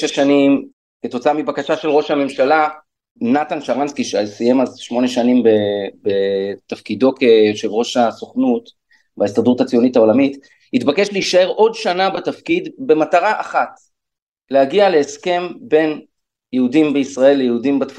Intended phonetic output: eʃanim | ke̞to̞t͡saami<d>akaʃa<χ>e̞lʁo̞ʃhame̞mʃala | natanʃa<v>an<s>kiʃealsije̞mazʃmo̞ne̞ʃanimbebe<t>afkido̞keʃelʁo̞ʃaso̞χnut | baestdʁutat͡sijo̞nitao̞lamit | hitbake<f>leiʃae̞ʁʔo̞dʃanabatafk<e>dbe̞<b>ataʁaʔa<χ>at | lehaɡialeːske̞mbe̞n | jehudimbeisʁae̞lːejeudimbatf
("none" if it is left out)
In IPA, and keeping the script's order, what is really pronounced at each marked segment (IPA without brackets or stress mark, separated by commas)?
b, ʃ, ʁ, s, t, ʃ, i, m, χ